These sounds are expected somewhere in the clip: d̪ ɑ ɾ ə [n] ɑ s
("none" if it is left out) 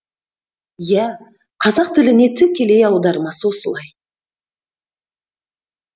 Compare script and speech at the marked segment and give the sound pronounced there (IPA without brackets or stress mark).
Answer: m